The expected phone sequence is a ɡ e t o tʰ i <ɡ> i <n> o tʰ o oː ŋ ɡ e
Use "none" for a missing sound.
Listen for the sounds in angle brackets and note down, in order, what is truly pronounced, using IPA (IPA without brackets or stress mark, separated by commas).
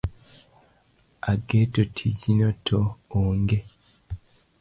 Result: ɟ, n